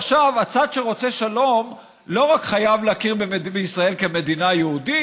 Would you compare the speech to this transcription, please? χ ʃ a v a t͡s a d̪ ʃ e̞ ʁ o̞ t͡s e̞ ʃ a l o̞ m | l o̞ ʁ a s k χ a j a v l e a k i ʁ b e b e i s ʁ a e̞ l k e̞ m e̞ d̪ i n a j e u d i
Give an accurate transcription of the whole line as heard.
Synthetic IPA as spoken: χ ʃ a v a t͡s a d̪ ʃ e̞ ʁ o̞ t͡s e̞ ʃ a l o̞ m | l o̞ ʁ a k χ a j a v l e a k i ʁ b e b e i s ʁ a e̞ l k e̞ m e̞ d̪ i n a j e u d i